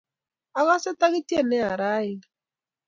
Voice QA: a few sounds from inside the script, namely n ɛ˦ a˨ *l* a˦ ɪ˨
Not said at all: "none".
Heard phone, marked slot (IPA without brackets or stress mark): ɾ